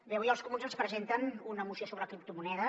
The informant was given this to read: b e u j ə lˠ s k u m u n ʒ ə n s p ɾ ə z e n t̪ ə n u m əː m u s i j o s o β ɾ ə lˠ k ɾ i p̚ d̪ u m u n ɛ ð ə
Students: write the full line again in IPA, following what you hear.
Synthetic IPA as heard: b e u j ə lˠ s k u m u n z ə n s p ɾ ə z e n t̪ ə n u n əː m u s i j o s o β ɾ ə k ɾ i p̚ t̪ u m u n ɛ ð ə